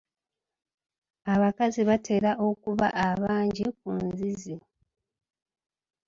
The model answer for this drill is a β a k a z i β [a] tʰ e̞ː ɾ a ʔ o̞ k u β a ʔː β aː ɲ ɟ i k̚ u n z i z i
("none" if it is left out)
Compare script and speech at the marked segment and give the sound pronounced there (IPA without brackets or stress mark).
a